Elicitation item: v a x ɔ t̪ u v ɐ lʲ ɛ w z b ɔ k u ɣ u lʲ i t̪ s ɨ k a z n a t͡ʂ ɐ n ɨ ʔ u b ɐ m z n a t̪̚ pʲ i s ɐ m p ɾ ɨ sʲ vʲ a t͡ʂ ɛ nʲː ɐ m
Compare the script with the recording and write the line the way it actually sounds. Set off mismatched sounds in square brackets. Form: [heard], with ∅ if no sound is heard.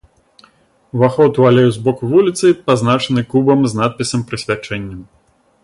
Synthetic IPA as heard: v a x ɔ t̪ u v [a] lʲ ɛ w z b ɔ k u [v] u lʲ i t̪ s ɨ [p] a z n a t͡ʂ ɐ n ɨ [k] u b ɐ m z n a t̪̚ pʲ i s ɐ m p ɾ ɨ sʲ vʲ a t͡ʂ ɛ nʲː ɐ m